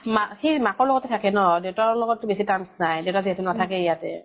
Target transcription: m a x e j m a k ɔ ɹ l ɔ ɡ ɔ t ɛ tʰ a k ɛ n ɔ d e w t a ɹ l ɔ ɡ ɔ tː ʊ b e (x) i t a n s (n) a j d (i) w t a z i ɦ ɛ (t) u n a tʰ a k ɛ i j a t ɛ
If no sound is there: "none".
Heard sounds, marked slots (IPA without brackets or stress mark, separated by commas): s, n, e, t